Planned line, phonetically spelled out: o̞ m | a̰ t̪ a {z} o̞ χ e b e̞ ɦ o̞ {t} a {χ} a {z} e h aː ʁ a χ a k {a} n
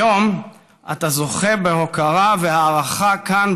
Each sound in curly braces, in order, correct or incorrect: correct, incorrect: k, incorrect: ʁ, incorrect: v, correct

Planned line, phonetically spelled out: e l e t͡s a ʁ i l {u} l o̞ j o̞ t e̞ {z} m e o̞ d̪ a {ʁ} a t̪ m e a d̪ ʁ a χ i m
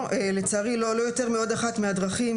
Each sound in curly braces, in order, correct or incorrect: incorrect: o, incorrect: ʁ, incorrect: χ

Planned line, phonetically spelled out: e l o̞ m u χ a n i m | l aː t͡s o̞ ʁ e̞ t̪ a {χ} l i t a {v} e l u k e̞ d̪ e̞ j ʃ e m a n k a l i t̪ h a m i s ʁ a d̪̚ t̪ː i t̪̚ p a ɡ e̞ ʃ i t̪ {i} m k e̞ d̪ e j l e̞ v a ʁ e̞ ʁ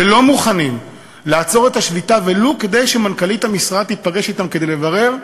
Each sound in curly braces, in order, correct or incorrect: incorrect: ʃ, correct, incorrect: a

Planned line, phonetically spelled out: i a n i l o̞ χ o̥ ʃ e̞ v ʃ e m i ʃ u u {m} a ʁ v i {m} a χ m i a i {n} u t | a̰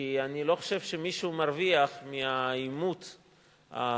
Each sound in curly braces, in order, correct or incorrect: correct, incorrect: none, incorrect: m

